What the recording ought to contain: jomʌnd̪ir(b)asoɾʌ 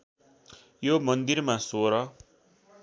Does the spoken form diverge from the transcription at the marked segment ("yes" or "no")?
yes